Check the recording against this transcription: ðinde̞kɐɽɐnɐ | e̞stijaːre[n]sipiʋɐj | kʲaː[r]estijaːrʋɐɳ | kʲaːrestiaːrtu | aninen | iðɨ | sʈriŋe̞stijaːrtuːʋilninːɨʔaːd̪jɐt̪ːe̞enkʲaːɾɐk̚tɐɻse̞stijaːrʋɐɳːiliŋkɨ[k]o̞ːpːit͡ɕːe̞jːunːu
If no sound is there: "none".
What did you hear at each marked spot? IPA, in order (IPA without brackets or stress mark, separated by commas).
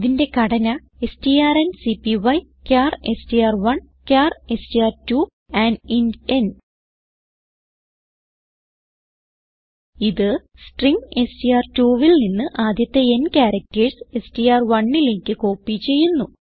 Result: n, r, k